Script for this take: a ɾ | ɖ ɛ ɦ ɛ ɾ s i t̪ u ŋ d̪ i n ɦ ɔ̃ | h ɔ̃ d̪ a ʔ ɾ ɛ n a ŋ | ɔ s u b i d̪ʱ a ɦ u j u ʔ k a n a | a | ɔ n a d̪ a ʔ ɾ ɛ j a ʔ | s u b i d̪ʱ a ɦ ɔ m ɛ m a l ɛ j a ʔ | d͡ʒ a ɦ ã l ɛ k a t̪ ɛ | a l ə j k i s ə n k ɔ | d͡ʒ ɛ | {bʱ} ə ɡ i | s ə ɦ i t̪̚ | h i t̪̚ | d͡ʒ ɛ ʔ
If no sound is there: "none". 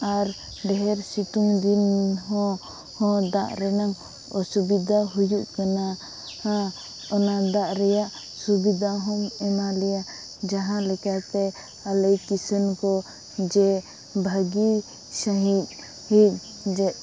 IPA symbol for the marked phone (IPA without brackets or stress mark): bʱ